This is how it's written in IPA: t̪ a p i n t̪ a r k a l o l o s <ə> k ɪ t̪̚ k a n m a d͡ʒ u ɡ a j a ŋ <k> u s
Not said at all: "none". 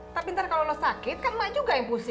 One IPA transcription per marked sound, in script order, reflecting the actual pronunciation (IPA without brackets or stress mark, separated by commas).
a, p